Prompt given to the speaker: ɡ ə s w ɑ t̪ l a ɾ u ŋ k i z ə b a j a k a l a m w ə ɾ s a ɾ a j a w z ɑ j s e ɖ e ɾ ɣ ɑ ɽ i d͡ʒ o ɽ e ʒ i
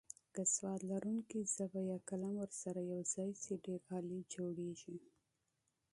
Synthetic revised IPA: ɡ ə s w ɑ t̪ l a ɾ u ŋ k i z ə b a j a k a l a m w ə ɾ s a ɾ a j a w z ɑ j s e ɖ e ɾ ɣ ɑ l i d͡ʒ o ɽ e ʒ i